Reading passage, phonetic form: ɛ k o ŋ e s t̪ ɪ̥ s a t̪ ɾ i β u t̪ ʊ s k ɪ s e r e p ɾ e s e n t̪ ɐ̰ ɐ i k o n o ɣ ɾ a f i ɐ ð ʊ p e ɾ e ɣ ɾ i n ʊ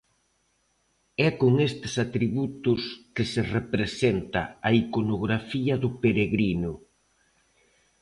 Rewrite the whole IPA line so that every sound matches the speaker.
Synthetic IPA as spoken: ɛ k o ŋ e s t̪ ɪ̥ s a t̪ ɾ i β u t̪ ʊ s k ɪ s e r e p ɾ e s e n t̪ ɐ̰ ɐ i k o n o ɣ ɾ a f i ɐ ð ʊ p e ɾ e ɣ ɾ i n ʊ